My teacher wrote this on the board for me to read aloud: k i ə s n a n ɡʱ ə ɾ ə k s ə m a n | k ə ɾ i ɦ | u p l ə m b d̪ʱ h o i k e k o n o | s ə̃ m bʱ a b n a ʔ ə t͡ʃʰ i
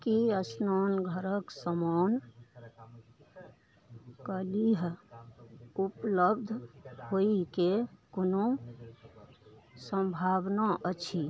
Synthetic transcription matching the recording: k i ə s n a n ɡʱ ə ɾ ə k s ə m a n | k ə l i ɦ | u p l ə b d̪ʱ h o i k e k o n o | s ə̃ m bʱ a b n a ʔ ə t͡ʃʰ i